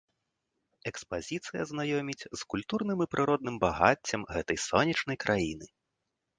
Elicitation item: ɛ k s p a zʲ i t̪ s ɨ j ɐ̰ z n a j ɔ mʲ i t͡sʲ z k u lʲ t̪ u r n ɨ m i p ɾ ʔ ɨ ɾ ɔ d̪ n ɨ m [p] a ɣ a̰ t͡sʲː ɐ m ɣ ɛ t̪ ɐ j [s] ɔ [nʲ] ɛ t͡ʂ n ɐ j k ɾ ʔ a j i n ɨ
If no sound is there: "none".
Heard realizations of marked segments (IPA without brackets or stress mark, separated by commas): b, s, nʲ